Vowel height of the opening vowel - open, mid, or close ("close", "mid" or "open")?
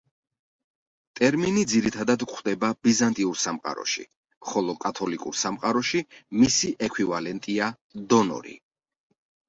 mid